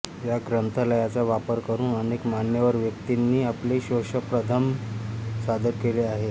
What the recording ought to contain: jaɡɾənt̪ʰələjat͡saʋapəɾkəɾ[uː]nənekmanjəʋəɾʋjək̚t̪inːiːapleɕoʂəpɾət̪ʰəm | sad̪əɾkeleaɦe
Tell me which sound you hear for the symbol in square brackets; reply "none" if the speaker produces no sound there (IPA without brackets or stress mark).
uː